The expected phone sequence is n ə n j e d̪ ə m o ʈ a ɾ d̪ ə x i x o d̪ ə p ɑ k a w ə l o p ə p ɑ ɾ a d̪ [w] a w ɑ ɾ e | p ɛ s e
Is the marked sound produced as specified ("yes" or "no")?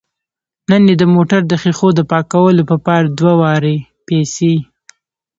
yes